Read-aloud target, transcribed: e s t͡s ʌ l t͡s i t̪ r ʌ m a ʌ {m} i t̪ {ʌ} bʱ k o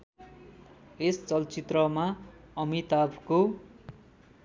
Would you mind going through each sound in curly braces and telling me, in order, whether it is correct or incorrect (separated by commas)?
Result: correct, incorrect